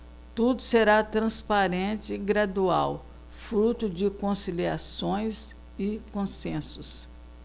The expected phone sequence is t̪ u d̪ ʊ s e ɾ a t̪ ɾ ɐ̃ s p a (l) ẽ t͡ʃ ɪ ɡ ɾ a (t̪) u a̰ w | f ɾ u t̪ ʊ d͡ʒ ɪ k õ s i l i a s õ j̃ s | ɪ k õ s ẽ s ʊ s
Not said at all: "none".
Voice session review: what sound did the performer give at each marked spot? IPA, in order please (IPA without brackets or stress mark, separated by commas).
ɾ, d̪